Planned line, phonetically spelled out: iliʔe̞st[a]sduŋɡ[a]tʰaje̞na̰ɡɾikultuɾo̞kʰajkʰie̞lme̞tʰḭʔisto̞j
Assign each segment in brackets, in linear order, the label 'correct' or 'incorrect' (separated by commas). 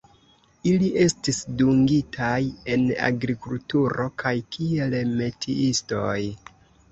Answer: incorrect, incorrect